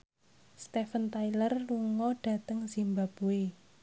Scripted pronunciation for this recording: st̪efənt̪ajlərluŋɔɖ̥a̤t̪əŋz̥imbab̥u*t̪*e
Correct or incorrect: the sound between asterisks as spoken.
incorrect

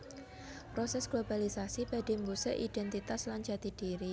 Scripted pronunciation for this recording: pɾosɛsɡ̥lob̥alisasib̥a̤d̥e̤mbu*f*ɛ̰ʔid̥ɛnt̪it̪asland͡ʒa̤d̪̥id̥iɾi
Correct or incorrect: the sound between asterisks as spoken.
incorrect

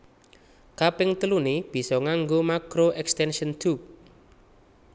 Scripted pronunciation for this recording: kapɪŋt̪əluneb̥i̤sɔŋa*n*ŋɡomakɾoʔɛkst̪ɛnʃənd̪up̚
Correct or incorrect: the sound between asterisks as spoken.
incorrect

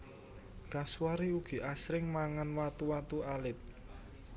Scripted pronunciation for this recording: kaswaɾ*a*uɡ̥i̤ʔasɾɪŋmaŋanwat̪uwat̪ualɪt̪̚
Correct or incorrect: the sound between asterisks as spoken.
incorrect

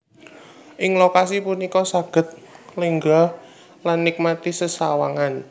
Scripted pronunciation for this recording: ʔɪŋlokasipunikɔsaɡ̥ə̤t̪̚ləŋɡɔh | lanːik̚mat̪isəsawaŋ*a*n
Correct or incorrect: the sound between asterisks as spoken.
correct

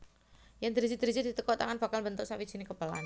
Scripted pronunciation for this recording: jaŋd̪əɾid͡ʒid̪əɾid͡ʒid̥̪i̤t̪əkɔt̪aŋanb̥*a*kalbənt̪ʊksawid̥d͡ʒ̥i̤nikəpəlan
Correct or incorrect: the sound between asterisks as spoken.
correct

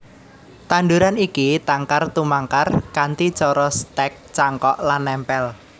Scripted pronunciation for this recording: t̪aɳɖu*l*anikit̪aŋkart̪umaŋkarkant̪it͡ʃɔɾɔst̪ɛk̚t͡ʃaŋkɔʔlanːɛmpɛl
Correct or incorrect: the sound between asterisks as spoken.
incorrect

